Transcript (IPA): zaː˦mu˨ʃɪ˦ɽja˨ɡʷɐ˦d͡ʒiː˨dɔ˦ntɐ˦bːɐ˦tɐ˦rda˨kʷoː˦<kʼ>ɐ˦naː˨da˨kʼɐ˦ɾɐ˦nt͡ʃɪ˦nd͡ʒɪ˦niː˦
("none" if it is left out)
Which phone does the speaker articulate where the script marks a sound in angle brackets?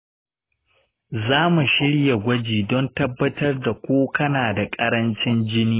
k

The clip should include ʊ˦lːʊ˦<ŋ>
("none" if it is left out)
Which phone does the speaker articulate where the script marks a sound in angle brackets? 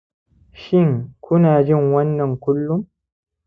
m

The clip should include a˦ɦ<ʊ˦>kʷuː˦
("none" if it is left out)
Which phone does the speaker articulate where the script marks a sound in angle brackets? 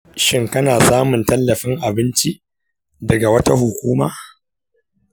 ʊ˨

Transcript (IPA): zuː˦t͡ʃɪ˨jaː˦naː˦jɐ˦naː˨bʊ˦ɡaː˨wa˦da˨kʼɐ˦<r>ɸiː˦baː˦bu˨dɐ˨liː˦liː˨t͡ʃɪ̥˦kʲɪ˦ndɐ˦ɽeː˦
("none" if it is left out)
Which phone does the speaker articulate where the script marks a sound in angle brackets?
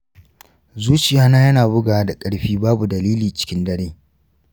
ɽ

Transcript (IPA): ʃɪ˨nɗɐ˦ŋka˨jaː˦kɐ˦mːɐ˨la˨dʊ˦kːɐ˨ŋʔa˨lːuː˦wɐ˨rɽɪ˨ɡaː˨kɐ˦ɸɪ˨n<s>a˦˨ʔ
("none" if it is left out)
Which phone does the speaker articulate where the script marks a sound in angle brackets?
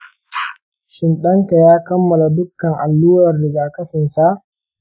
s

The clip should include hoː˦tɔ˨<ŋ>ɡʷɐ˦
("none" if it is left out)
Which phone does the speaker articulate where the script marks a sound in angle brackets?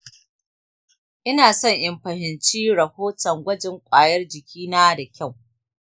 ŋ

